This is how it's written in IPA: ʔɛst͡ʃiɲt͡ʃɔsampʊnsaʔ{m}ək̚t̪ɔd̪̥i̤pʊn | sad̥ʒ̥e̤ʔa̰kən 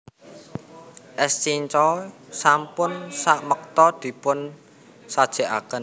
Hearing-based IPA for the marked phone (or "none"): m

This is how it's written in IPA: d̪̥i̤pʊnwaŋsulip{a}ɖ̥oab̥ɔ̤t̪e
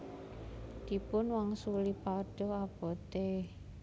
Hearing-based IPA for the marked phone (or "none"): a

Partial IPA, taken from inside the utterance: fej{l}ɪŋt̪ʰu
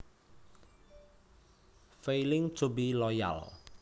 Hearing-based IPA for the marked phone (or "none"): l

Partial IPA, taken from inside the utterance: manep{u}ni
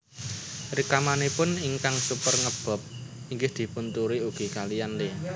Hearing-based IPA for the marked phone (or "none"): ʊ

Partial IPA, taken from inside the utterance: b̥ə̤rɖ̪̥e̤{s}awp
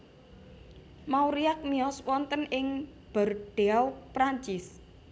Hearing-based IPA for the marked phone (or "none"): none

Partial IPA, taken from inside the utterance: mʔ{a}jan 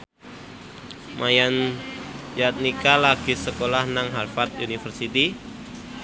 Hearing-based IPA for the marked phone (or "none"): a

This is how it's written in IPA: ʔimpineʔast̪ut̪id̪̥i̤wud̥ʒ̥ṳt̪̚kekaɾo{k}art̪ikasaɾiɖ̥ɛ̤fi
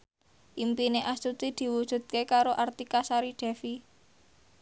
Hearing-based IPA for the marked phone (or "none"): ʔ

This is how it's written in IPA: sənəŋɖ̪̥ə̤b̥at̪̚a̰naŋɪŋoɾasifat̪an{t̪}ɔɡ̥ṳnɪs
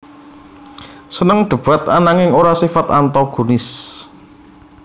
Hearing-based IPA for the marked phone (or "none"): t̪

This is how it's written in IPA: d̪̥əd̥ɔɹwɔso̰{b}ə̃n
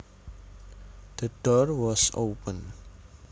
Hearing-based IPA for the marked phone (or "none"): p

